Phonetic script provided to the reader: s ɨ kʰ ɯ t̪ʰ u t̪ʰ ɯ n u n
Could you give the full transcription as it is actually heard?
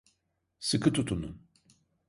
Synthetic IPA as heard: s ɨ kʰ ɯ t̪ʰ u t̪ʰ u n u n